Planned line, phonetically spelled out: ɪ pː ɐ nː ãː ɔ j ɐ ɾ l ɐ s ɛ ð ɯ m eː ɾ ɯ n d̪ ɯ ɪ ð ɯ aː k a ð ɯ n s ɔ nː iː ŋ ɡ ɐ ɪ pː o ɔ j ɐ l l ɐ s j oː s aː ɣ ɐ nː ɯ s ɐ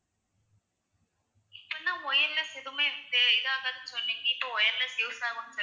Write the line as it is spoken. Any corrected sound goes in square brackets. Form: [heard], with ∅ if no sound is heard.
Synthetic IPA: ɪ pː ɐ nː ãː ɔ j ɐ ɾ l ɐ s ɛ ð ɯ m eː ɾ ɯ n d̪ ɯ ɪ ð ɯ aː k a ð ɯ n s ɔ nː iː ŋ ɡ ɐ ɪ pː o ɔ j ɐ [ɾ] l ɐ s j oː s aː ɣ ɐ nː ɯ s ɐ